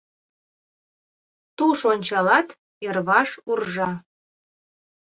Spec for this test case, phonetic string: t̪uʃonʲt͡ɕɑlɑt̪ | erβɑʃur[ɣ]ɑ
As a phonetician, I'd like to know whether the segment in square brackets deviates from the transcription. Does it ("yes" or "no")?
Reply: yes